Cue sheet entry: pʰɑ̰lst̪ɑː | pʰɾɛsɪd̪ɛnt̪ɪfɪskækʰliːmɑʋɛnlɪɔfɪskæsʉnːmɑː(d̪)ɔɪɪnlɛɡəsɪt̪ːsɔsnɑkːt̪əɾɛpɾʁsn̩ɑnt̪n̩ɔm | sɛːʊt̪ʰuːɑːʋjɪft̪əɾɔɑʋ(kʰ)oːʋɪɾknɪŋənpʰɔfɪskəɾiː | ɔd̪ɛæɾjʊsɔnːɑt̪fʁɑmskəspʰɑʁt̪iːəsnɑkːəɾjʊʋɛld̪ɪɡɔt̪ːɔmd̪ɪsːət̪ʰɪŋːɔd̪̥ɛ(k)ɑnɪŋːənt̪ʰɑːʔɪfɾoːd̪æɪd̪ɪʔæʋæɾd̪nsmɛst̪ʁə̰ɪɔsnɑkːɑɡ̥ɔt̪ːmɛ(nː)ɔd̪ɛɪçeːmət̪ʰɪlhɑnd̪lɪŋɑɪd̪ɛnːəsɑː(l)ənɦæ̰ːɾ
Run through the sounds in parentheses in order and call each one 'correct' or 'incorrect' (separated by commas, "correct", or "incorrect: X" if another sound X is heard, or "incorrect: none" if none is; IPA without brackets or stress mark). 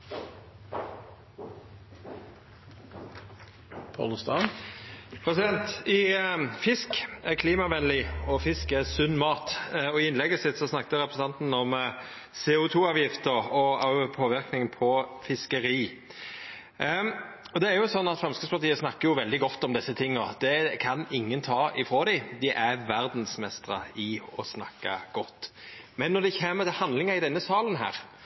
incorrect: t̪, incorrect: pʰ, incorrect: kʰ, correct, correct